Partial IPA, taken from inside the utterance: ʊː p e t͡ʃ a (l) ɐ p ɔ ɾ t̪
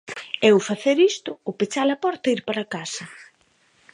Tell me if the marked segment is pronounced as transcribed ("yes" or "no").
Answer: yes